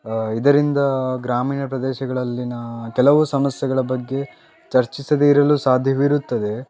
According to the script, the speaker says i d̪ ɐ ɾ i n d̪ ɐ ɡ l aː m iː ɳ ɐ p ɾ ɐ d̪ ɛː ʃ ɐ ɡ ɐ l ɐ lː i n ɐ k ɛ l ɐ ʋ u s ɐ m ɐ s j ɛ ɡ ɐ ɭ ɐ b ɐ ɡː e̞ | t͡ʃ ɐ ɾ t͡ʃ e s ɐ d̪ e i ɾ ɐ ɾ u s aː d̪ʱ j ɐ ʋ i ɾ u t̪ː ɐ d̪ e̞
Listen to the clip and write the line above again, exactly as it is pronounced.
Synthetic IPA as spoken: i d̪ ɐ ɾ i n d̪ ɐ ɡ ɾ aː m iː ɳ ɐ p ɾ ɐ d̪ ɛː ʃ ɐ ɡ ɐ ɭ ɐ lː i n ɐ k ɛ l ɐ ʋ u s ɐ m ɐ s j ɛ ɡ ɐ ɭ ɐ b ɐ ɡː e̞ | t͡ʃ ɐ ɾ t͡ʃ i s ɐ d̪ e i ɾ ɐ l u s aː d̪ʱ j ɐ ʋ i ɾ u t̪ː ɐ d̪ e̞